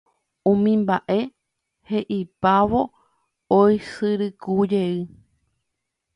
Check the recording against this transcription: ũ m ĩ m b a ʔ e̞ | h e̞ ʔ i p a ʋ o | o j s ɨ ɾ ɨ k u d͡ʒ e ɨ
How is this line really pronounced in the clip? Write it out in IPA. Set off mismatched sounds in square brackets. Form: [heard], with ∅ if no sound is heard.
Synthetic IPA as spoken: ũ m ĩ m b a ʔ e̞ | h e̞ ʔ i p a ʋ o | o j s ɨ ɾ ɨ k u d͡ʒ e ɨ